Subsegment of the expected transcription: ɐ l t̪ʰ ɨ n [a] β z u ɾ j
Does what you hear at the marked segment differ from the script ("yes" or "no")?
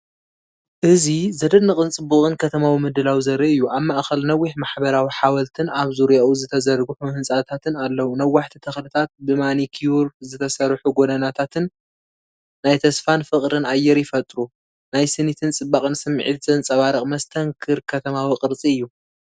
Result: no